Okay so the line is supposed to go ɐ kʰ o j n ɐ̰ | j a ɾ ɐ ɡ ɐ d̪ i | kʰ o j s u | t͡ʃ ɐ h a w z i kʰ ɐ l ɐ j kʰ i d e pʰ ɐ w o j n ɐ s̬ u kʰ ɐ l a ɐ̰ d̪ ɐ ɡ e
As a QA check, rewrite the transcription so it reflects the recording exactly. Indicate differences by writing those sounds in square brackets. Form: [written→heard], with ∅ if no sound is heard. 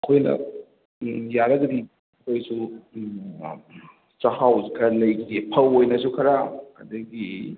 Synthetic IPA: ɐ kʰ o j n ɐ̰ | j a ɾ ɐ ɡ ɐ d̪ i | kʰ o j s u | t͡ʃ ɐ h a w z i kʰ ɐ l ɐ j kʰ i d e pʰ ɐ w o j n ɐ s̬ u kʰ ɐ [l→ɾ] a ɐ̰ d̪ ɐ ɡ [e→i]